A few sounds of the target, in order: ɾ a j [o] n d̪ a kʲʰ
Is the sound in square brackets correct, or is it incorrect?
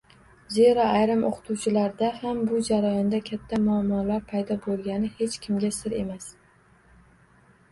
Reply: incorrect